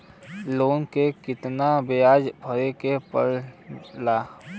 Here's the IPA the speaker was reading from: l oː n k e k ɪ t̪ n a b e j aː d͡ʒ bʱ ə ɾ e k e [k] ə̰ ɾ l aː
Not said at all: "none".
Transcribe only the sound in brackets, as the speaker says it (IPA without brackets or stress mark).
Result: p